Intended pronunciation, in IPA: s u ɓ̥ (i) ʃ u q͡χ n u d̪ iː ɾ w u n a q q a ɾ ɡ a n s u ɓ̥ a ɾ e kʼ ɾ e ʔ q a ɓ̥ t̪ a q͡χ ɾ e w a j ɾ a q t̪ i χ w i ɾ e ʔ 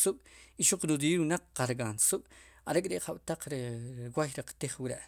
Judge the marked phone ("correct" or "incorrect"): correct